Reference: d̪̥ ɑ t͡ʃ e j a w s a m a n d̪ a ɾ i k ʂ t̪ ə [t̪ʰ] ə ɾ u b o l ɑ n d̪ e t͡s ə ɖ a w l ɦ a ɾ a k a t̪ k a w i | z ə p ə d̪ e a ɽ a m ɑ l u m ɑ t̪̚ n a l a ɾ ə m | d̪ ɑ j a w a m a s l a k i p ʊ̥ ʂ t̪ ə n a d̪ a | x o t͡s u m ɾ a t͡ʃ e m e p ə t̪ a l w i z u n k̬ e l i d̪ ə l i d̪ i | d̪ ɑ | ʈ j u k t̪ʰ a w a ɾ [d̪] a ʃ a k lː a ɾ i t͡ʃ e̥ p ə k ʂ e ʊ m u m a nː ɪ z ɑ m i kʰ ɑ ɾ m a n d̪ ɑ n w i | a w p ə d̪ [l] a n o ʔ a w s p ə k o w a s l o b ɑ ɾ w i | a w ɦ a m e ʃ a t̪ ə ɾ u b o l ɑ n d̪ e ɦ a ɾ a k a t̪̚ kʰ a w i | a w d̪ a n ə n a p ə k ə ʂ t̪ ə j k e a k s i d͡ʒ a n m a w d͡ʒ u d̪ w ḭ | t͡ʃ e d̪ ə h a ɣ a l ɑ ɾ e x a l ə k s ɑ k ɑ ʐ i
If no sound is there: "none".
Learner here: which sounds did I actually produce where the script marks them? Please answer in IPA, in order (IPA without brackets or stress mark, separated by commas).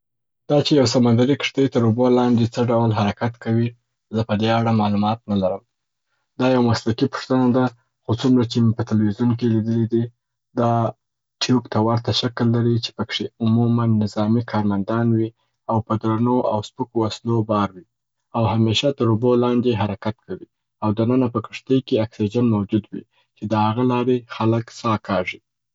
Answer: t̪, t̪, ɾ